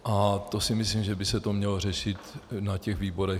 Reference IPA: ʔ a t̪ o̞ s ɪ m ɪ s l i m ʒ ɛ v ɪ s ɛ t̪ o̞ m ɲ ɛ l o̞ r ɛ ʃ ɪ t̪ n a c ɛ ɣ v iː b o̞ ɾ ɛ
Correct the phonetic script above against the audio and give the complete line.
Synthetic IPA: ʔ a t̪ o̞ s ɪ m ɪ s l i m ʒ ɛ b ɪ s ɛ t̪ o̞ m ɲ ɛ l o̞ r ɛ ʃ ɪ t̪ n a c ɛ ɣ v iː b o̞ ɾ ɛ